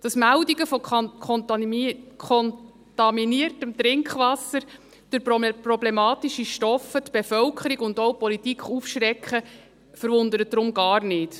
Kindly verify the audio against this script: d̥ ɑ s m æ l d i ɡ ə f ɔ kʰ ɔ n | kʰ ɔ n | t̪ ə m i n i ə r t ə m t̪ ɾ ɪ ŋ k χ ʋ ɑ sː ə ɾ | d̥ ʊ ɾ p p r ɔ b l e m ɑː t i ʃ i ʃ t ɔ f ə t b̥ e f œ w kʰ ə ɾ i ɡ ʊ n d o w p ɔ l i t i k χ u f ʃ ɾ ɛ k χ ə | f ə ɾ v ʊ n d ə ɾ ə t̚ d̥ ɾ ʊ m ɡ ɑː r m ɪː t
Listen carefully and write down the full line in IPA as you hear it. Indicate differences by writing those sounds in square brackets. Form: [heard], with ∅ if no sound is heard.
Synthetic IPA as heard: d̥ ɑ s m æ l d i ɡ ə f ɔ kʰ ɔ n | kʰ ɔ n | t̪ [ɑ] m i n i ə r t ə m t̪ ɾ ɪ ŋ k χ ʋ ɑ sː ə ɾ | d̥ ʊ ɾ p p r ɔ b l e m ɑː t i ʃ i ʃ t ɔ f ə t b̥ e f œ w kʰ ə ɾ i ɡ ʊ n d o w p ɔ l i t i k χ u f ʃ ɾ ɛ k χ ə | f ə ɾ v ʊ n d ə ɾ ə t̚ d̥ ɾ ʊ m ɡ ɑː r [n] ɪː t